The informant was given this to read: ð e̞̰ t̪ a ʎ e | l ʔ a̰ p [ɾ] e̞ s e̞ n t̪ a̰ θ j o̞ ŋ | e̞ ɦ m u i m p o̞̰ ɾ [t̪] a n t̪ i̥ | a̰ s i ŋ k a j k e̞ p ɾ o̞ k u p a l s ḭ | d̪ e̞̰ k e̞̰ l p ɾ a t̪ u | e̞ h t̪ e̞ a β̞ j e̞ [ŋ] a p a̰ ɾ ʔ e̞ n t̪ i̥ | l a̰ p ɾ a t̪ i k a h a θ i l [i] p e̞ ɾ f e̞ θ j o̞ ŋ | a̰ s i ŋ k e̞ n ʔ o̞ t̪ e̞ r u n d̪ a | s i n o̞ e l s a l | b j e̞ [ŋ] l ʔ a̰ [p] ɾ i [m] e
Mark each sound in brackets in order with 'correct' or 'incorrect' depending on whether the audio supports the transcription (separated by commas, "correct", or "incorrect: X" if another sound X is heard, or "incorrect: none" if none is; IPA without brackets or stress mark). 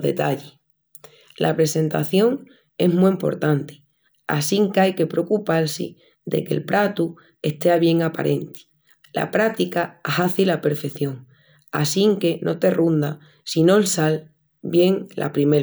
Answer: correct, correct, correct, incorrect: a, correct, correct, correct